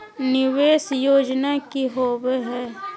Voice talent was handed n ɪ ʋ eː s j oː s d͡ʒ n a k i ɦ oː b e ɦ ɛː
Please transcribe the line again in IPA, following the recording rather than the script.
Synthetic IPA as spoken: n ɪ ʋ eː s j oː d͡ʒ n a k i ɦ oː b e ɦ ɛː